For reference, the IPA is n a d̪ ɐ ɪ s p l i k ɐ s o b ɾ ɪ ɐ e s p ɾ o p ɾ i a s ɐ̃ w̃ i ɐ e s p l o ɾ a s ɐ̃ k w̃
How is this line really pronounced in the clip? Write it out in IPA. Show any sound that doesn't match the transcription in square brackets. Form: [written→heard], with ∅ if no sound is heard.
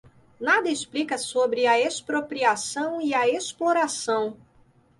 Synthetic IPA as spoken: n a d̪ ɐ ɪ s p l i k ɐ s o b ɾ ɪ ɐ e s p ɾ o p ɾ i a s ɐ̃ w̃ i ɐ e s p l o ɾ a s ɐ̃ [k→∅] w̃

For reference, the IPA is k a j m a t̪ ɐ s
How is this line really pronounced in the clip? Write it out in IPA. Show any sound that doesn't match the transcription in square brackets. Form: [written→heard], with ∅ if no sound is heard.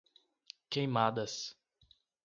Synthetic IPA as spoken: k [a→e] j m a [t̪→d̪] ɐ s

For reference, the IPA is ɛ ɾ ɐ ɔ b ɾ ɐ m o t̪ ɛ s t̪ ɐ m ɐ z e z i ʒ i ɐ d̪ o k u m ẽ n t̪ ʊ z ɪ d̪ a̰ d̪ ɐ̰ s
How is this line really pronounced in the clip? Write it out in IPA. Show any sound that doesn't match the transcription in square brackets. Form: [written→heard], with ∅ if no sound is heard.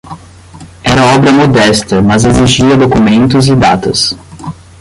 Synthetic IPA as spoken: ɛ ɾ ɐ ɔ b ɾ ɐ m o [t̪→d̪] ɛ s t̪ ɐ m ɐ z e z i ʒ i ɐ d̪ o k u m ẽ n t̪ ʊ z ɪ d̪ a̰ [d̪→t̪] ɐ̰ s

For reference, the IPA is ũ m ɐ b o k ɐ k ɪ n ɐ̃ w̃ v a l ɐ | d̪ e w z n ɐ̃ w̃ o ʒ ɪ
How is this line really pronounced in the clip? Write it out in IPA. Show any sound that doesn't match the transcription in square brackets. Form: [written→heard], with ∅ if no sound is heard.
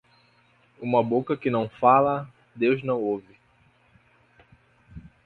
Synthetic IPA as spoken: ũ m ɐ b o k ɐ k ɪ n ɐ̃ w̃ [v→f] a l ɐ | d̪ e w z n ɐ̃ w̃ o [ʒ→v] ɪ

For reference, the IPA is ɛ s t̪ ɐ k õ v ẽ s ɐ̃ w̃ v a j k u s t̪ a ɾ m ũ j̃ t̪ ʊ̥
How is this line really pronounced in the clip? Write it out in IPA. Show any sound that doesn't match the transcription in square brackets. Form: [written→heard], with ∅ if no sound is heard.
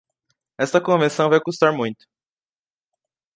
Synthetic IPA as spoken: ɛ s t̪ ɐ k õ v ẽ s ɐ̃ w̃ v a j k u s t̪ a ɾ m ũ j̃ t̪ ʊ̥

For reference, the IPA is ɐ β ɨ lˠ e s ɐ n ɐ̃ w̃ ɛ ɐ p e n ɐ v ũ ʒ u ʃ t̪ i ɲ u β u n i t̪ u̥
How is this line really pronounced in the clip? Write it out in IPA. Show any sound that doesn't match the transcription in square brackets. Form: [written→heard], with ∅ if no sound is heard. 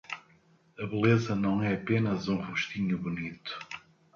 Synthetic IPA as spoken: ɐ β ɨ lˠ e [s→z] ɐ n ɐ̃ w̃ ɛ ɐ p e n ɐ [v→z] ũ [ʒ→ʁ] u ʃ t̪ i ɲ u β u n i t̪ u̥

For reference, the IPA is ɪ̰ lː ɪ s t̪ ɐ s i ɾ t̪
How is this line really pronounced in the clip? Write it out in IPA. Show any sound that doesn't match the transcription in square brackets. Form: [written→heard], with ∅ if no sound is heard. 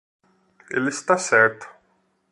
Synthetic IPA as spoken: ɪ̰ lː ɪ s t̪ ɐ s [i→ɛ] ɾ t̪

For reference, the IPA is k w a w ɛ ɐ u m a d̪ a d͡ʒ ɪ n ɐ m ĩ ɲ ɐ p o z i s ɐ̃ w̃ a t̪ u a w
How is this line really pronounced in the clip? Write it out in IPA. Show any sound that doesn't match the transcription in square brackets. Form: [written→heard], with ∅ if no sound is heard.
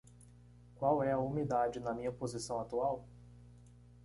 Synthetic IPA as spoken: k w a w ɛ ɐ u m [a→i] d̪ a d͡ʒ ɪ n ɐ m ĩ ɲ ɐ p o z i s ɐ̃ w̃ a t̪ u a w

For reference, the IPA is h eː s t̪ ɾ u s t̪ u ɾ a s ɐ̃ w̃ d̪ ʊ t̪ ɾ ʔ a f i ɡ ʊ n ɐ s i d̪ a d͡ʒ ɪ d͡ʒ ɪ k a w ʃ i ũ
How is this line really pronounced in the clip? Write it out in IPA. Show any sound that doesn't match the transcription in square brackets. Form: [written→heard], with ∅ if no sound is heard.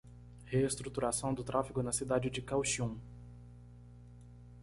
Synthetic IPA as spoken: h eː s t̪ ɾ u [s→∅] t̪ u ɾ a s ɐ̃ w̃ d̪ ʊ t̪ ɾ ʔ a f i ɡ ʊ n ɐ s i d̪ a d͡ʒ ɪ d͡ʒ ɪ k a w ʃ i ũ

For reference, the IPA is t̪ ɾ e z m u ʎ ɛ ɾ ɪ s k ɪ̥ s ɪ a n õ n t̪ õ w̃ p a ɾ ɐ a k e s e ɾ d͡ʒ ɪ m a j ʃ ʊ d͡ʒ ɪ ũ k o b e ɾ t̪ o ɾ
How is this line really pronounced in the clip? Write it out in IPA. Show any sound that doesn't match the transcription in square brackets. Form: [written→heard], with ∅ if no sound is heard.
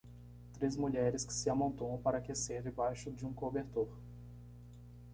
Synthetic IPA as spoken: t̪ ɾ e z m u ʎ ɛ ɾ ɪ s k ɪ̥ s ɪ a [n→m] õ n t̪ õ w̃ p a ɾ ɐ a k e s e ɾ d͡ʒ ɪ [m→b] a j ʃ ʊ d͡ʒ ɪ ũ k o b e ɾ t̪ o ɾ

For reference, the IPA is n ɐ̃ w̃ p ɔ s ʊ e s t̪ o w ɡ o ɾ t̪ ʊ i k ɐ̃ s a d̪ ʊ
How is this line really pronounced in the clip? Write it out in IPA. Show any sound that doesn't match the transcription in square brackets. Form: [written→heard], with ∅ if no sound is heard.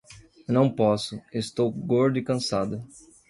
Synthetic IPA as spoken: n ɐ̃ w̃ p ɔ s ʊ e s t̪ o w ɡ o ɾ [t̪→d̪] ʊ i k ɐ̃ s a d̪ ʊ

